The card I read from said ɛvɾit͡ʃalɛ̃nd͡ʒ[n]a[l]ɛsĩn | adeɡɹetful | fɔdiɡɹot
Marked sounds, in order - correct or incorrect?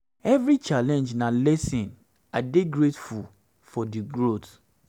correct, correct

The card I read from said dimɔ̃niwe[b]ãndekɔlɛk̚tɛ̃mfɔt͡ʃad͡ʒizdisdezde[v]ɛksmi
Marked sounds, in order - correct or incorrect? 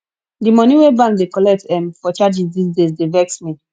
correct, correct

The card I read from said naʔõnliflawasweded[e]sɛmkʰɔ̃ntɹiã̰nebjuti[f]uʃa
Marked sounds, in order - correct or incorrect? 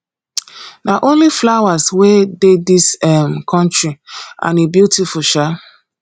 incorrect, correct

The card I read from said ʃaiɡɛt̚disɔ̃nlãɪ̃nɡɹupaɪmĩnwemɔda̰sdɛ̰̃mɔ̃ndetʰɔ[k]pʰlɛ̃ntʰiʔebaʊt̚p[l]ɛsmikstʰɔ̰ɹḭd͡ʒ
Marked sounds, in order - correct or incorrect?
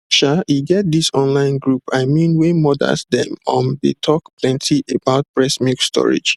correct, incorrect

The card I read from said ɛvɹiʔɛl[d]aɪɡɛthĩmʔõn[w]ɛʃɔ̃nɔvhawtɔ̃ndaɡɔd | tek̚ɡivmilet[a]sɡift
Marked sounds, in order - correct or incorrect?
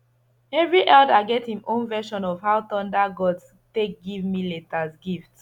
correct, incorrect, correct

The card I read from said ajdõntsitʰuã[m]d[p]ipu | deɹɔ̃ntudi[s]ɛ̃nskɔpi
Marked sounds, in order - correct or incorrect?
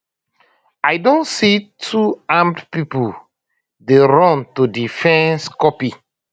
correct, correct, incorrect

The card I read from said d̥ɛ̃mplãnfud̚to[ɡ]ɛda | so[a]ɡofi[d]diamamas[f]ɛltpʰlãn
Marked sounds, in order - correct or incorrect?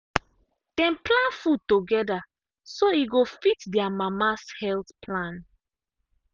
correct, incorrect, incorrect, incorrect

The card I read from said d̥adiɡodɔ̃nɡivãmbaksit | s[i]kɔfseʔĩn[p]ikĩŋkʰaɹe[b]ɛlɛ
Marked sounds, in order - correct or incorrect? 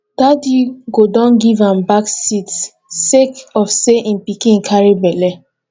incorrect, correct, correct

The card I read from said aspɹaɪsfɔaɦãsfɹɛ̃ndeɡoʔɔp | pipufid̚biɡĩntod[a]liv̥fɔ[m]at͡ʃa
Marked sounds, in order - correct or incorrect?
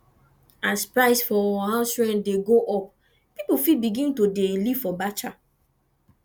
incorrect, incorrect

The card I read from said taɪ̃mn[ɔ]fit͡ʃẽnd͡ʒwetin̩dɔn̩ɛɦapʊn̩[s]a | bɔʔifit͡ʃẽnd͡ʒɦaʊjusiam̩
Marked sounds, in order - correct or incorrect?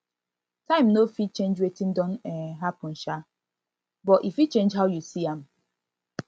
incorrect, incorrect

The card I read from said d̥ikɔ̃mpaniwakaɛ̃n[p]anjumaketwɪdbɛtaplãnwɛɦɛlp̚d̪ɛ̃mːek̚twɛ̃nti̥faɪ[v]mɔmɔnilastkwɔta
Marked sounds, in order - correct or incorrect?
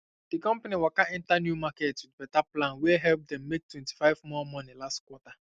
incorrect, correct

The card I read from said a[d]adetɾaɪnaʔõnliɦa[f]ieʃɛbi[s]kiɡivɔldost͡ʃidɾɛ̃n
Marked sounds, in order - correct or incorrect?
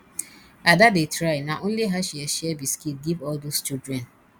correct, incorrect, correct

